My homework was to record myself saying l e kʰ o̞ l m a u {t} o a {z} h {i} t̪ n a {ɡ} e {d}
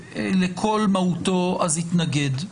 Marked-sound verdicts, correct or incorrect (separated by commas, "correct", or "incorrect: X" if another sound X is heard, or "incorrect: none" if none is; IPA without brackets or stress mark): correct, correct, correct, correct, correct